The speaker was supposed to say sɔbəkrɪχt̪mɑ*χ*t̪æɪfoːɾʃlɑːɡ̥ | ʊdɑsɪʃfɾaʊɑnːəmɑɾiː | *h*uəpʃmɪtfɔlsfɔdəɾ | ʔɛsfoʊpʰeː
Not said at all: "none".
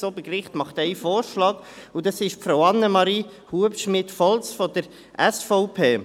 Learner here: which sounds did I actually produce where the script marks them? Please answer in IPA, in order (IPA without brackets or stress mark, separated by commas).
χ, h